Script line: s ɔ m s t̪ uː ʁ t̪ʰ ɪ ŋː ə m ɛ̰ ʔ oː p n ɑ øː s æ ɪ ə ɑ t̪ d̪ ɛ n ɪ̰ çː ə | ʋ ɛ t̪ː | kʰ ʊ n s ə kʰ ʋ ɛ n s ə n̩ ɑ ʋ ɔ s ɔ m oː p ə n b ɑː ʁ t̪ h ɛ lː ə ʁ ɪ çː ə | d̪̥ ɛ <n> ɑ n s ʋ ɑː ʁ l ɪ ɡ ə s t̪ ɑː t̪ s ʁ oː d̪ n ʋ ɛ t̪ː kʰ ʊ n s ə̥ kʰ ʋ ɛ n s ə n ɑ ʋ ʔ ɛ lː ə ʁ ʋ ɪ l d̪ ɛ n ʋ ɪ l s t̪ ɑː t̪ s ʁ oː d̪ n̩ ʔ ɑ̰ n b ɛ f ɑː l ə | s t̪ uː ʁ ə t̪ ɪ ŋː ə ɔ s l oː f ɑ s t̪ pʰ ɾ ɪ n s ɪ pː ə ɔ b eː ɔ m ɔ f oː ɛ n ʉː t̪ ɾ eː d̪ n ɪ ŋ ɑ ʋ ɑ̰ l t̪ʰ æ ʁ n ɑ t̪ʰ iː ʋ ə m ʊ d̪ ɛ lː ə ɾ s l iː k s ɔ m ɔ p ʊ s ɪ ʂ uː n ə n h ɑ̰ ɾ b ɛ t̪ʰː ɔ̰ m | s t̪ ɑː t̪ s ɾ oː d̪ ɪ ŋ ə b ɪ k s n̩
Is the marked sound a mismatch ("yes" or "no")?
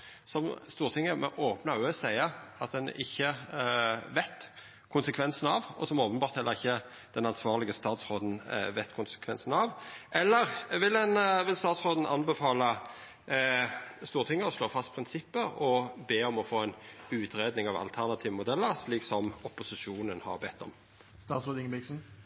no